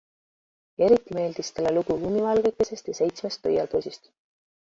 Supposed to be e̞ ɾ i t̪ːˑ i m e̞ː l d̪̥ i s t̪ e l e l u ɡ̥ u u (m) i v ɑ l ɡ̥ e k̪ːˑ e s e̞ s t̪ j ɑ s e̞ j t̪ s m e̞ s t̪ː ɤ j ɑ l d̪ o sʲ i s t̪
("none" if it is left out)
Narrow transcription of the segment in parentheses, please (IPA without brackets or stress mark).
m